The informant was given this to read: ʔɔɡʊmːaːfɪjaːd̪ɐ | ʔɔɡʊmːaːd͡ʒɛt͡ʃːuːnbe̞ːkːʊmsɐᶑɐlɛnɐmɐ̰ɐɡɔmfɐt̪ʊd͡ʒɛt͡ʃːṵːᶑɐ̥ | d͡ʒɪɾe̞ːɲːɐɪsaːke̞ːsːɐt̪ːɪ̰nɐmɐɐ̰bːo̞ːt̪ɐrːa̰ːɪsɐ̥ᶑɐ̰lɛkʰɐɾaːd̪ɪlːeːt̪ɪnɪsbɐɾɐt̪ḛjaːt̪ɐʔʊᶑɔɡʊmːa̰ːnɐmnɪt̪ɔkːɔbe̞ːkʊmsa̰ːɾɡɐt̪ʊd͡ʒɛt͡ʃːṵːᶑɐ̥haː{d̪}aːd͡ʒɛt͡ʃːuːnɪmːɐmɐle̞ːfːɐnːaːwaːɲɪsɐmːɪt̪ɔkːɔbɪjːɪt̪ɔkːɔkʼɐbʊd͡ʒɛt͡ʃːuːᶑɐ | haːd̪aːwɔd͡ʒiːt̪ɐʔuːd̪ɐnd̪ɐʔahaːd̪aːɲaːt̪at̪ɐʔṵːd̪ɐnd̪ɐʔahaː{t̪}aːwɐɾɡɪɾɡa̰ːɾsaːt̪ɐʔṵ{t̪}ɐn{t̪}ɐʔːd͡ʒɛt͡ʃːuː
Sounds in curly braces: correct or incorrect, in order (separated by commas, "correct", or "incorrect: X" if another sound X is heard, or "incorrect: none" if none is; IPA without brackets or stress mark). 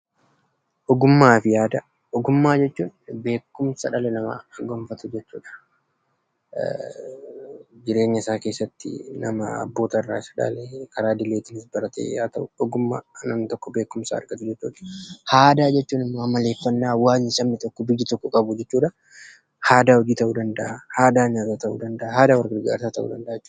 correct, incorrect: d̪, incorrect: d̪, incorrect: d̪